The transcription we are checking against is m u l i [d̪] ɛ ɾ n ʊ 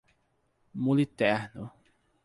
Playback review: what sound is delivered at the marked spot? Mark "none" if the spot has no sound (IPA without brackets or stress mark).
t̪